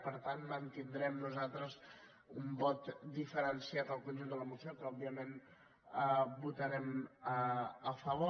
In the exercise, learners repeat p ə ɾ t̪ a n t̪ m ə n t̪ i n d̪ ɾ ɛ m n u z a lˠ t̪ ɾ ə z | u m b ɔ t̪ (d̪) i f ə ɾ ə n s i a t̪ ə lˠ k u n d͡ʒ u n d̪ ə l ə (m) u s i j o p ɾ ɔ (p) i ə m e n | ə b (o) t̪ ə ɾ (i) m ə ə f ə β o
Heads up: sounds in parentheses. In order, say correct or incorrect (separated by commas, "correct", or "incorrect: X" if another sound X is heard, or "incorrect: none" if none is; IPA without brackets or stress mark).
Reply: correct, correct, incorrect: b, incorrect: u, incorrect: ɛ